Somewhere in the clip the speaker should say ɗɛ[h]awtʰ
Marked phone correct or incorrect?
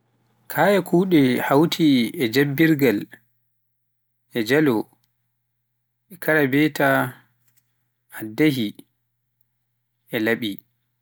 correct